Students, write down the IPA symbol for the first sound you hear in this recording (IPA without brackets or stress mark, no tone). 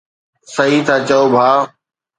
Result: s